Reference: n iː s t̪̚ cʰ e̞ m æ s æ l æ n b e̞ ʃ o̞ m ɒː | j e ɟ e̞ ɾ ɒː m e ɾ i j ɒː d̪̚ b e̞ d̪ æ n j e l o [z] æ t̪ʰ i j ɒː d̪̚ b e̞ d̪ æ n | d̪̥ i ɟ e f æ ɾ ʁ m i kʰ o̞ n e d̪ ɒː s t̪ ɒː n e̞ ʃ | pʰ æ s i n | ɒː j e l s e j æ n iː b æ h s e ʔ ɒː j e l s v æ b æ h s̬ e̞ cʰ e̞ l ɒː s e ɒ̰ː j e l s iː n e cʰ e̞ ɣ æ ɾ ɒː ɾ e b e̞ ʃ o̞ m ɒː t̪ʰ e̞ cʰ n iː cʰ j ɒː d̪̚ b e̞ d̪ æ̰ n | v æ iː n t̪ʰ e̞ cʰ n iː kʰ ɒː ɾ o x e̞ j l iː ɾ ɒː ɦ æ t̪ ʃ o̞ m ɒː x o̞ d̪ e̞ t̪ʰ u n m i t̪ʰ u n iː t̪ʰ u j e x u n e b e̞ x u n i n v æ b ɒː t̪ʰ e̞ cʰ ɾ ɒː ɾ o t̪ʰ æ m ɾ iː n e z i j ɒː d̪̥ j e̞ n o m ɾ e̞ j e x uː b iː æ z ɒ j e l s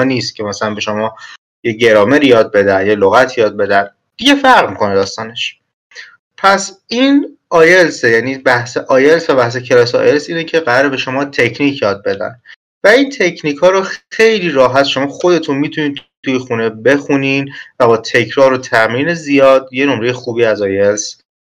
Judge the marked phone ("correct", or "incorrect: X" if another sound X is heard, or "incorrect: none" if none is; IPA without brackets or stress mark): incorrect: ɣ